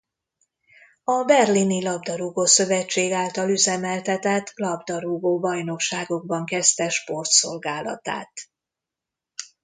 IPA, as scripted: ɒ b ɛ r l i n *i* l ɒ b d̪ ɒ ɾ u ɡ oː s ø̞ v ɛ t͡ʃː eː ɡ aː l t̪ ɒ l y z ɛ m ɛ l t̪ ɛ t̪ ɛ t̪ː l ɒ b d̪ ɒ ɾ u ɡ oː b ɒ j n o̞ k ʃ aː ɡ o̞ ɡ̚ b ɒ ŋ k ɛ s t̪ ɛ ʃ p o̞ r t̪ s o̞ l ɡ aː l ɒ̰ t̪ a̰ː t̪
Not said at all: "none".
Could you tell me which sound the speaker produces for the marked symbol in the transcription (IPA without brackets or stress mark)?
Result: i